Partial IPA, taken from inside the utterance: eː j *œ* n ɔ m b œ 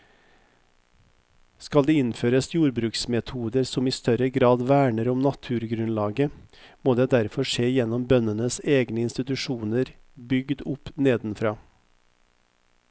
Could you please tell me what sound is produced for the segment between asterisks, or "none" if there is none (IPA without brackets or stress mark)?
ɛ